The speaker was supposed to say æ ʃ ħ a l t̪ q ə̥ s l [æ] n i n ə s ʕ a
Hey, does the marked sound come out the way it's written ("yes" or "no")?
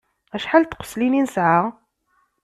no